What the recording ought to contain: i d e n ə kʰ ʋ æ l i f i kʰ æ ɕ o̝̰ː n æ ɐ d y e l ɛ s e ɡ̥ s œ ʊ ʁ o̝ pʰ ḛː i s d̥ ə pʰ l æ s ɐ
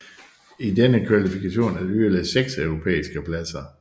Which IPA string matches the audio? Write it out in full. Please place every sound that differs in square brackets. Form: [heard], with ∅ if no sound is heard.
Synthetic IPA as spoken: i d e n ə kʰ ʋ æ l i f i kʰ æ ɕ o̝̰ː n æ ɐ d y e l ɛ s e ɡ̥ s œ ʊ ʁ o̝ pʰ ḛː i s [ɡ̥] ə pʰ l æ s ɐ